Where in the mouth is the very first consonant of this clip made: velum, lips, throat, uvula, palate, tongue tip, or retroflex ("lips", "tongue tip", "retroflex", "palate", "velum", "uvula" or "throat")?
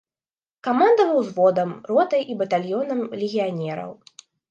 velum